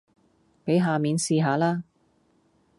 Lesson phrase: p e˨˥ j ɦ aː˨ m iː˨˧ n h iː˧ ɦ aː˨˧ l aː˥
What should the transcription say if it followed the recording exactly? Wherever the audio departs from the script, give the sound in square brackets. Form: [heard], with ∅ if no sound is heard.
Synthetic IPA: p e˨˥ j ɦ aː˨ m iː˨˧ n [s] iː˧ ɦ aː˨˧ l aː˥